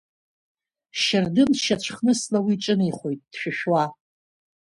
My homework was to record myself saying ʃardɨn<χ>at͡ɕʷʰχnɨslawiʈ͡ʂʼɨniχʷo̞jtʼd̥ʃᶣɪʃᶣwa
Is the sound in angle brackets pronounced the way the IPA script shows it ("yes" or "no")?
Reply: no